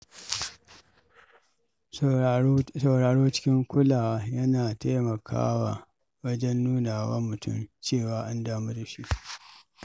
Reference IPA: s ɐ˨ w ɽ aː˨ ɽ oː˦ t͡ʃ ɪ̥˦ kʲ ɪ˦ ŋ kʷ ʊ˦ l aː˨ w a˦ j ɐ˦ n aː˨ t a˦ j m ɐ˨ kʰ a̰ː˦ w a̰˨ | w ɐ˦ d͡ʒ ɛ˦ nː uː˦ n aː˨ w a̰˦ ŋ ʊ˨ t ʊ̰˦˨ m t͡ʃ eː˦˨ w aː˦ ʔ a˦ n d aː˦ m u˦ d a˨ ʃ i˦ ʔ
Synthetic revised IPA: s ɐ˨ w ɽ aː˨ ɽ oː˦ t͡ʃ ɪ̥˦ kʲ ɪ˦ ŋ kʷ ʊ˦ l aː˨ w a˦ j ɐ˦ n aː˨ t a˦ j m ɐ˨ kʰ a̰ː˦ w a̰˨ | w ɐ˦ d͡ʒ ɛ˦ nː uː˦ n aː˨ w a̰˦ m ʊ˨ t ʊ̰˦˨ m t͡ʃ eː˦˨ w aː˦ ʔ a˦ n d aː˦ m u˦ d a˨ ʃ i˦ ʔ